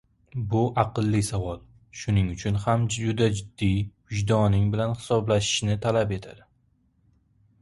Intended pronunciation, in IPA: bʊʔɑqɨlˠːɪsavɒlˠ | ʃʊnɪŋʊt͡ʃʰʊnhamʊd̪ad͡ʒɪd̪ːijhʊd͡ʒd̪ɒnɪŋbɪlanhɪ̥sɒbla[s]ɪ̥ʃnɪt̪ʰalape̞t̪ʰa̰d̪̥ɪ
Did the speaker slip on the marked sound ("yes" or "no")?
yes